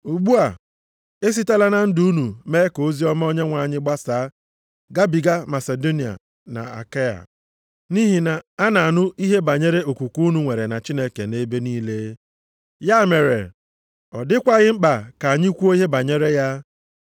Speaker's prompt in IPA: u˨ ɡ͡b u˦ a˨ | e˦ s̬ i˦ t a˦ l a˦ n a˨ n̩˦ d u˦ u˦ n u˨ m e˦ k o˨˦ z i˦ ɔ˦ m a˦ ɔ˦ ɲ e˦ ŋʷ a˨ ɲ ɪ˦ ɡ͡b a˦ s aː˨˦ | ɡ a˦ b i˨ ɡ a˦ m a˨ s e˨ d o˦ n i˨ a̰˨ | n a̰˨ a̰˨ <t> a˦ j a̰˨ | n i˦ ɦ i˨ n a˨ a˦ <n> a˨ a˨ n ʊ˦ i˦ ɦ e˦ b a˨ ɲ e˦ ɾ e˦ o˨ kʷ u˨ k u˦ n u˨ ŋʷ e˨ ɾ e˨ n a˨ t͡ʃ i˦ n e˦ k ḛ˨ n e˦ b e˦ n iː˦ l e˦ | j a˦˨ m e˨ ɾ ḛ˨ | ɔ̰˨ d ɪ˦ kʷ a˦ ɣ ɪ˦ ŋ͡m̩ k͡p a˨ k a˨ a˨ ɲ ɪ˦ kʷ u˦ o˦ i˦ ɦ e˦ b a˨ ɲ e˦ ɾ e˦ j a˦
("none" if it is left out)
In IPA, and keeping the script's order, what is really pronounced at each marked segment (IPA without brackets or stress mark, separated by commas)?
k, n